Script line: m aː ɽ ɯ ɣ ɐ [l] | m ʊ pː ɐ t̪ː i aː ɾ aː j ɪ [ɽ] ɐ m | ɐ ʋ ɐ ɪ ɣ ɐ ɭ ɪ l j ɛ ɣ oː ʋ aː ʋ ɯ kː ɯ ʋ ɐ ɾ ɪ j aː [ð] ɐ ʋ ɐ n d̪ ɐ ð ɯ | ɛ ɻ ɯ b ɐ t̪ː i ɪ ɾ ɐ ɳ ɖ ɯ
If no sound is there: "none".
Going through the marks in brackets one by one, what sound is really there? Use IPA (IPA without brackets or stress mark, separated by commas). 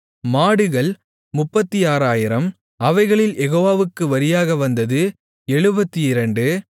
ɭ, ɾ, ɣ